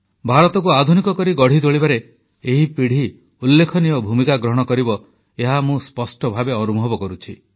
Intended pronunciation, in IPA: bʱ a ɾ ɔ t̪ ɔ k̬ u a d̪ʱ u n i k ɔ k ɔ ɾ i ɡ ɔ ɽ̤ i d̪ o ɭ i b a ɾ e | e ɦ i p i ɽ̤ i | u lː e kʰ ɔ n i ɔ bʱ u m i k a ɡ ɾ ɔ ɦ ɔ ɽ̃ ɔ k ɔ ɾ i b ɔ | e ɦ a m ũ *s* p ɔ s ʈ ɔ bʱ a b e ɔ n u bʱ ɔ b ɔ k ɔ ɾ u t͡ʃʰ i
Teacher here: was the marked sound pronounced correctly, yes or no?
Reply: yes